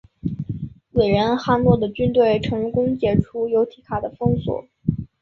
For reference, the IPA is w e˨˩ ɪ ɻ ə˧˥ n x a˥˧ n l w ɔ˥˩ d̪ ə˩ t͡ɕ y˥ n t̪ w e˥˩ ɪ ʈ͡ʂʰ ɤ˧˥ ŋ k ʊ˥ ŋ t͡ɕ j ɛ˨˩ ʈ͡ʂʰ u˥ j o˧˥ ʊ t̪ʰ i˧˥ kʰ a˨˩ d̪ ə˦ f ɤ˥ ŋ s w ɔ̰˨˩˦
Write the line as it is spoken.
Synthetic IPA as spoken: w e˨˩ ɪ ɻ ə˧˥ n x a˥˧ n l w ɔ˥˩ d̪ ə˩ t͡ɕ y˥ n t̪ w e˥˩ ɪ ʈ͡ʂʰ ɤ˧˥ ŋ k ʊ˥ ŋ t͡ɕ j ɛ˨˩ ʈ͡ʂʰ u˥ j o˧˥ ʊ t̪ʰ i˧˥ kʰ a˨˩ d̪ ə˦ f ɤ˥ ŋ s w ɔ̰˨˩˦